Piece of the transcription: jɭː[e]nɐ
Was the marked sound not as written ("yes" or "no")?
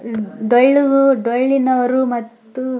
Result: yes